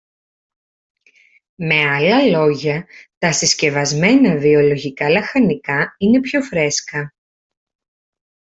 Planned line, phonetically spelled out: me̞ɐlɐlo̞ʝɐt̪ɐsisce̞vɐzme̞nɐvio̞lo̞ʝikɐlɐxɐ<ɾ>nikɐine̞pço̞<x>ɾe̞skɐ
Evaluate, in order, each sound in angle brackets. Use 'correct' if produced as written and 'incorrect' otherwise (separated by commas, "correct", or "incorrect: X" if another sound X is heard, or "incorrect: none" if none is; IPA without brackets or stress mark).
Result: incorrect: none, incorrect: f